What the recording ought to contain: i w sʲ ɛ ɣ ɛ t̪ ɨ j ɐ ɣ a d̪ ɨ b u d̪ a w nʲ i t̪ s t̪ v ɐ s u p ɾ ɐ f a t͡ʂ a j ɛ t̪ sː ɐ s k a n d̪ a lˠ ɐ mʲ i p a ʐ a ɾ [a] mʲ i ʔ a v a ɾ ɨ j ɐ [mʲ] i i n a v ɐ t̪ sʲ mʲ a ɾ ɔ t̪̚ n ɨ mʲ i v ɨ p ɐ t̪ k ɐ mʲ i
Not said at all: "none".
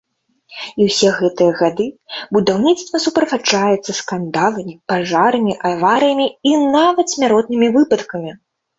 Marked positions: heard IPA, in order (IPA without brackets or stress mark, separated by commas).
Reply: ɐ, mʲ